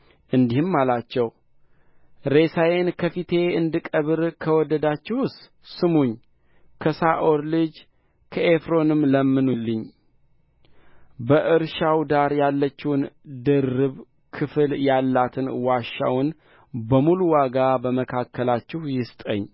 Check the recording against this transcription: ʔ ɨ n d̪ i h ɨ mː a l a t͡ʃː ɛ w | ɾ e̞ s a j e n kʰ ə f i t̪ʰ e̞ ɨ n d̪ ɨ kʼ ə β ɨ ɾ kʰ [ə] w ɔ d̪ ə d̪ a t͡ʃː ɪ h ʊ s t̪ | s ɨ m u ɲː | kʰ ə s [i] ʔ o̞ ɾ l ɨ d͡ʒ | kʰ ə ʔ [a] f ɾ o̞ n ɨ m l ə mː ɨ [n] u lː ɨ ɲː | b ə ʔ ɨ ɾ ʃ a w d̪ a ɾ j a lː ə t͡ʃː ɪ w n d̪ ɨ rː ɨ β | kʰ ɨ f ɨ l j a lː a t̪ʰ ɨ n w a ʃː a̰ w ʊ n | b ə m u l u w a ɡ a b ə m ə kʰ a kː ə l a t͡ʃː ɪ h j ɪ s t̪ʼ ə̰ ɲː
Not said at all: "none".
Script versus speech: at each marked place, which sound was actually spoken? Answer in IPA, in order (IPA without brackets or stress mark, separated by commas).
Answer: ə, a, e, n